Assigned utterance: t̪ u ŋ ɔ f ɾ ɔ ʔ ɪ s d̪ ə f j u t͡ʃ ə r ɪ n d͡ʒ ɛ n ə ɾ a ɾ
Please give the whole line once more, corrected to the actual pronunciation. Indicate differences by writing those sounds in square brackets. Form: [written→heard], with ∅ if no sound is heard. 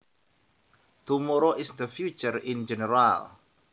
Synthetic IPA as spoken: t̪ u [ŋ→m] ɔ [f→∅] ɾ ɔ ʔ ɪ s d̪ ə f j u t͡ʃ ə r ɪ n d͡ʒ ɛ n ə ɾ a [ɾ→l]